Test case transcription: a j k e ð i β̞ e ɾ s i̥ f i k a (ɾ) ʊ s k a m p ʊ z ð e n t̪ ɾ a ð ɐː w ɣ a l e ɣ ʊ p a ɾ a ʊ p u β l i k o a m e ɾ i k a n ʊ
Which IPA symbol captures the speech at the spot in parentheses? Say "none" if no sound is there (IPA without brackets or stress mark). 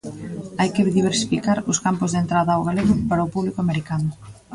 ɾ